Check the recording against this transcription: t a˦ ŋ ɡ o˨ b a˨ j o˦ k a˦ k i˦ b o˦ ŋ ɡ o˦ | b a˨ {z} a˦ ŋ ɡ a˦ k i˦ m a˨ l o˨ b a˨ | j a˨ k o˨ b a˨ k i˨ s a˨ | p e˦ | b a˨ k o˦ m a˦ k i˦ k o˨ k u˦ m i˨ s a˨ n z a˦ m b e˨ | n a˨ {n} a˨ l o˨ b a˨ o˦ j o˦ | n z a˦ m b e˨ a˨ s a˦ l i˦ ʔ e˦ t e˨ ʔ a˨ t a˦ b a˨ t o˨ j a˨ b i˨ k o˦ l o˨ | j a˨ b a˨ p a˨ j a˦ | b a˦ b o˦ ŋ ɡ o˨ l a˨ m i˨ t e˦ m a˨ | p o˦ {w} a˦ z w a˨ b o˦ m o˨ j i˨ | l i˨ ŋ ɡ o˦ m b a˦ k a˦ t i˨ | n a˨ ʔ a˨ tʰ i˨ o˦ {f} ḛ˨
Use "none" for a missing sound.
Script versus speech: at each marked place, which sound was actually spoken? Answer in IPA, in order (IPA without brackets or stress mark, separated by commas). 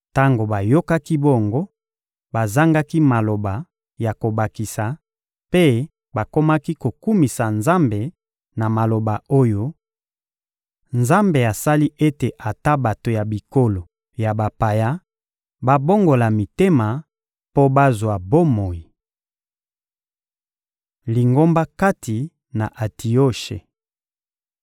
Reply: z, m, b, ʃ